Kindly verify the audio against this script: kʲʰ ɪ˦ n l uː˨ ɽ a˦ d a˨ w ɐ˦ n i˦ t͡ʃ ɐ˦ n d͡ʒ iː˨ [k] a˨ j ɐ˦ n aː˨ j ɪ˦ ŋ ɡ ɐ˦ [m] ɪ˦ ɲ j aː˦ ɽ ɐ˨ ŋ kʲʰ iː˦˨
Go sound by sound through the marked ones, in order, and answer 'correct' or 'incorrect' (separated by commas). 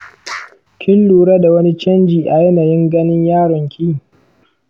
incorrect, incorrect